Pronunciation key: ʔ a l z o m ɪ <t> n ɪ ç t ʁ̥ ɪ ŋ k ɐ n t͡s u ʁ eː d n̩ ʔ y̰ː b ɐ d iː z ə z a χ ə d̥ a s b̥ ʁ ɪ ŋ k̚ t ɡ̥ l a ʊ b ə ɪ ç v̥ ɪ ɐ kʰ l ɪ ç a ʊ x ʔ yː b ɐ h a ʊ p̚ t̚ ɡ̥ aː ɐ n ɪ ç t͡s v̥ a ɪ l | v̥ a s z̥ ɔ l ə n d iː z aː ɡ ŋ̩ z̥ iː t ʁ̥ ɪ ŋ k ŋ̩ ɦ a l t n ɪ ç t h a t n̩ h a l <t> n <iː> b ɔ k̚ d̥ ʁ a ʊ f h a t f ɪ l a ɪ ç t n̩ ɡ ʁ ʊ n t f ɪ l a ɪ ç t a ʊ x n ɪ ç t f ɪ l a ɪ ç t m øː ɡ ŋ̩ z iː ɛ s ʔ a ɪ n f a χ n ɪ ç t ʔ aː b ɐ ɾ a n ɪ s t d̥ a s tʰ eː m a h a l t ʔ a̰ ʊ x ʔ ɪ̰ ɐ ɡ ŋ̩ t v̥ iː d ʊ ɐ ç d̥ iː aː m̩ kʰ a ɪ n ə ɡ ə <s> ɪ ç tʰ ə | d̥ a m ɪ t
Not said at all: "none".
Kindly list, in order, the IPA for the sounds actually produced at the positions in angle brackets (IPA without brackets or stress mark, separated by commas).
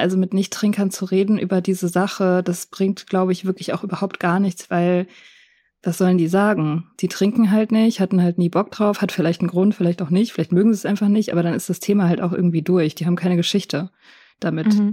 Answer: t, t, iː, ʃ